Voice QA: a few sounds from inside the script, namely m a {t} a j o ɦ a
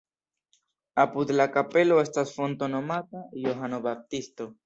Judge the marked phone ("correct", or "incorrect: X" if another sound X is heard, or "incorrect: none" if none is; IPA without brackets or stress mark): correct